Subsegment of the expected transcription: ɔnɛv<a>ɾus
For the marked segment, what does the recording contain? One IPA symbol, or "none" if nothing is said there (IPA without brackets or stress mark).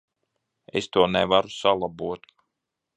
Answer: a